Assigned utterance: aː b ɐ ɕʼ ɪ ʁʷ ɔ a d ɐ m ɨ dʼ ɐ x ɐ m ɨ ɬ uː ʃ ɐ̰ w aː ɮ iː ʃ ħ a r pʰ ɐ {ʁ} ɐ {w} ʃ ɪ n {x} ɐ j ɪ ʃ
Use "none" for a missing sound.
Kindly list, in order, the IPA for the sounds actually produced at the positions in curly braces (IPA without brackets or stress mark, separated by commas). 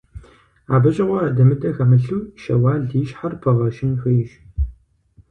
ʁ, none, x